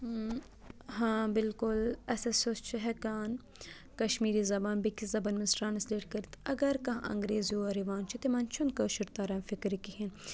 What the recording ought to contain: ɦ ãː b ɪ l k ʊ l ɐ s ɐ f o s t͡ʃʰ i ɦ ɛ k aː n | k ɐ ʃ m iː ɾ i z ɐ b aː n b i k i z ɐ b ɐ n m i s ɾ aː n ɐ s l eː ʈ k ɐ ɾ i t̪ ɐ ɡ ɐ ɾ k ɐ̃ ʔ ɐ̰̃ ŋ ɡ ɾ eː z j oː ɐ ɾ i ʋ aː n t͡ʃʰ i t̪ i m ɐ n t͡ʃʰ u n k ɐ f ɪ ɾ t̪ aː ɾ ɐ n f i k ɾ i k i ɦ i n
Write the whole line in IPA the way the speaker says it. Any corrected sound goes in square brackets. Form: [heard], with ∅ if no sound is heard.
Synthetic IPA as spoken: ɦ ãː b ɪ l k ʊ l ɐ s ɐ [s] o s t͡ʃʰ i ɦ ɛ k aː n | k ɐ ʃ m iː ɾ i z ɐ b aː n b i k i z ɐ b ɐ n m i s ɾ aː n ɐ s l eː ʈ k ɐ ɾ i t̪ ɐ ɡ ɐ ɾ k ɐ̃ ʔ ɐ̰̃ ŋ ɡ ɾ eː z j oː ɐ ɾ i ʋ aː n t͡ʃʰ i t̪ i m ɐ n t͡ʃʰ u n k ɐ [ʃ] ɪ ɾ t̪ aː ɾ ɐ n f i k ɾ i k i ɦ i n